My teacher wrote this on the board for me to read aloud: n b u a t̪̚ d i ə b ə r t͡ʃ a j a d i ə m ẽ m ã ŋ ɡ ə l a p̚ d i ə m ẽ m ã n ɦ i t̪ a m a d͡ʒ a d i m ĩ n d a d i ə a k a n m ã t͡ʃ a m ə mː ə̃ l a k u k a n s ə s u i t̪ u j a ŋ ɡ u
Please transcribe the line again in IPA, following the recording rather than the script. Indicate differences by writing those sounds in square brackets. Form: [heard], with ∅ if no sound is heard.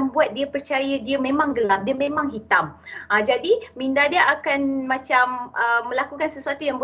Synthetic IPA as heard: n b u a t̪̚ d i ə [p] ə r t͡ʃ a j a d i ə m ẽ m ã ŋ ɡ ə l a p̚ d i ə m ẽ m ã [ŋ] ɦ i t̪ a m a d͡ʒ a d i m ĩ n d a d i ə a k a n m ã t͡ʃ a m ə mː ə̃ l a k u k a n s ə s u [a] t̪ u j a ŋ [b] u